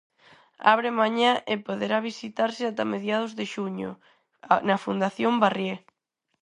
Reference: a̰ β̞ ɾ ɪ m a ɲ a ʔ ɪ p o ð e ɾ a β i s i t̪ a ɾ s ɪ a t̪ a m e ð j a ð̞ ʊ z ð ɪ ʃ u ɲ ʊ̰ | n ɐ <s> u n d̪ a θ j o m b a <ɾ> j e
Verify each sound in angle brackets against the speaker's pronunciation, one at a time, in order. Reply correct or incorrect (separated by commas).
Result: incorrect, incorrect